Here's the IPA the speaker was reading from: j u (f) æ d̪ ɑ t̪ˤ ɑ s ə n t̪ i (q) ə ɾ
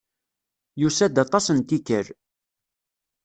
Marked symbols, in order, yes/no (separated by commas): no, no